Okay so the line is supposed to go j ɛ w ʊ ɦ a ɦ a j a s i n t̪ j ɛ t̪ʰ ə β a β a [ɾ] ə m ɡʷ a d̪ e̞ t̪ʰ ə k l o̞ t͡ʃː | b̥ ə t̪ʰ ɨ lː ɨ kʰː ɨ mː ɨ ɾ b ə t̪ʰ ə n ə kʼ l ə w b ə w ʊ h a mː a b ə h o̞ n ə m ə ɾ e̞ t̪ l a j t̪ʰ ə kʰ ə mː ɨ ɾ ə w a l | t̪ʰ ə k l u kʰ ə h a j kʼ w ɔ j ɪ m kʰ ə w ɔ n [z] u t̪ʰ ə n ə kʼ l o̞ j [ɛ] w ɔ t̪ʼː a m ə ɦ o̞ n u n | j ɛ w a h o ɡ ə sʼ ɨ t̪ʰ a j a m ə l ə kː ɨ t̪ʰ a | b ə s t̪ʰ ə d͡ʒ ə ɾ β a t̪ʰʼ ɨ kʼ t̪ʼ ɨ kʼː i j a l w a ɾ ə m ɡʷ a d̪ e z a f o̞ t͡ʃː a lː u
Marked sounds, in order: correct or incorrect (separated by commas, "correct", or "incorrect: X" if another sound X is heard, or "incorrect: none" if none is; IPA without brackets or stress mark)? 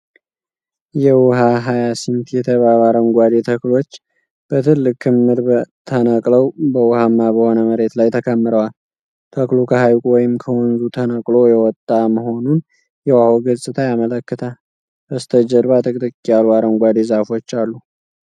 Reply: correct, correct, correct